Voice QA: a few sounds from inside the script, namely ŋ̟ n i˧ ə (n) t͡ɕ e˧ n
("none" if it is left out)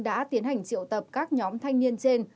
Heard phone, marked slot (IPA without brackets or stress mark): n